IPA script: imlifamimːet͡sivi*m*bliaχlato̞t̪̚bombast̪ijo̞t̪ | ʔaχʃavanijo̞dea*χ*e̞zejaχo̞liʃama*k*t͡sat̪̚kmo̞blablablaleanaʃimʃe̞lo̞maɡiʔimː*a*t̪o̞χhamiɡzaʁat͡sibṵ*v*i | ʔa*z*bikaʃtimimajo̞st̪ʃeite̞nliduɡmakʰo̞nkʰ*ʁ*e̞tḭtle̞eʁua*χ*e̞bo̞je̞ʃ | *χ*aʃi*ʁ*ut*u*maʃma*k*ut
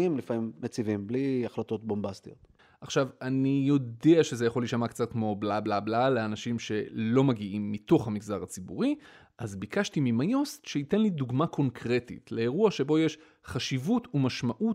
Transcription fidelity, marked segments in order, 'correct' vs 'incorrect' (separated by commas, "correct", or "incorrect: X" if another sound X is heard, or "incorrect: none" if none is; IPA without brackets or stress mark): correct, incorrect: ʃ, correct, incorrect: i, incorrect: ʁ, correct, correct, incorrect: ʃ, correct, incorrect: v, correct, incorrect: ʔ